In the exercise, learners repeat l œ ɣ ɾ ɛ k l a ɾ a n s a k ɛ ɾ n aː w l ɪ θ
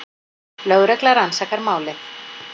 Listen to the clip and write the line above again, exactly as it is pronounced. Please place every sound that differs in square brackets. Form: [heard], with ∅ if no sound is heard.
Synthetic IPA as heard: l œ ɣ ɾ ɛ k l a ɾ a n s a k [a] ɾ [m] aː w l ɪ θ